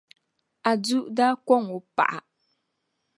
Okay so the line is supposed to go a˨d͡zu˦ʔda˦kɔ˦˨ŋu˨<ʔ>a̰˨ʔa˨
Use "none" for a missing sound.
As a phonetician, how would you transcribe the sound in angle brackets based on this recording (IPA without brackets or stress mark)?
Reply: p